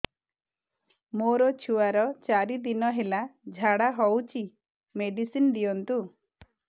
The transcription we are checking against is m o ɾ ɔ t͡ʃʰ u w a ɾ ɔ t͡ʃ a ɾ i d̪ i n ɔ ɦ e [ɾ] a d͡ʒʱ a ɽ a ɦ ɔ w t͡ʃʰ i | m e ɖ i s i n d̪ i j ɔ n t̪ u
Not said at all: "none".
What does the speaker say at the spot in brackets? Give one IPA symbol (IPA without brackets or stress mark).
l